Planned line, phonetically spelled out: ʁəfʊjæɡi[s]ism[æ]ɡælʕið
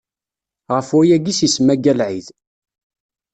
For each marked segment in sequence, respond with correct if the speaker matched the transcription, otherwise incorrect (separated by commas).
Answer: correct, correct